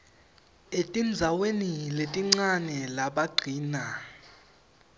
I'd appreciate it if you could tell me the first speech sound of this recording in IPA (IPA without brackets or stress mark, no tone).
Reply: e